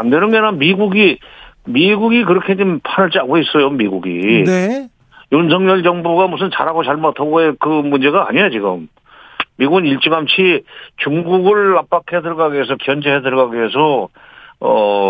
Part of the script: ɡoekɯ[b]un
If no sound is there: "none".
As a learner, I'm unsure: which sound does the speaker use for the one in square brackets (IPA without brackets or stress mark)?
m